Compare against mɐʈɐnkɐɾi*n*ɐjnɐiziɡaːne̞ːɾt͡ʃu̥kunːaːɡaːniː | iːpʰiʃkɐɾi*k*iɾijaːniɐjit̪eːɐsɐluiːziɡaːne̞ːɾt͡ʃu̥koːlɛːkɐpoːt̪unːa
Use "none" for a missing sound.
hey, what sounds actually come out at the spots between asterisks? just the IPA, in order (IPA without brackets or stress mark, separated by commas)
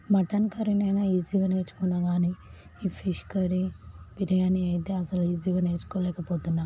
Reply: n, p